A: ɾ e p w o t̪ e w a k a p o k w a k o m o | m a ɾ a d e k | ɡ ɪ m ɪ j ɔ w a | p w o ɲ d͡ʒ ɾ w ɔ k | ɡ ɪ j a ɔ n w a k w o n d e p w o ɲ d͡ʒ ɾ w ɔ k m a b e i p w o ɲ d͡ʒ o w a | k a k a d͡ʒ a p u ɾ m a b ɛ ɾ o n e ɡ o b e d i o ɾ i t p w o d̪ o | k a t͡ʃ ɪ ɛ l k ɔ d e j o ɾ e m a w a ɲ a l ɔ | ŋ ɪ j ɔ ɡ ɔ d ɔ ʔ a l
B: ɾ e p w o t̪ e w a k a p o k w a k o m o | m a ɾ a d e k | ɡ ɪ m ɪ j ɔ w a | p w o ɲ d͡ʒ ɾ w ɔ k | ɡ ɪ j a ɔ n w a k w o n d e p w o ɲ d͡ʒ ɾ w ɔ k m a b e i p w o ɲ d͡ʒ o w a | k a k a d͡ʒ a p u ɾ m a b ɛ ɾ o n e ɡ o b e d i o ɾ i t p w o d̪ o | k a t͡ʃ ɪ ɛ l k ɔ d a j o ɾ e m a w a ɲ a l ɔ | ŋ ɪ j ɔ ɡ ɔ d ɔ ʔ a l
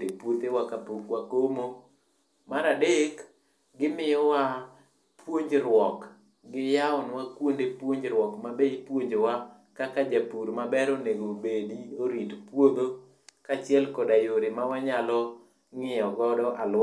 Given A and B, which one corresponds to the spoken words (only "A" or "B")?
B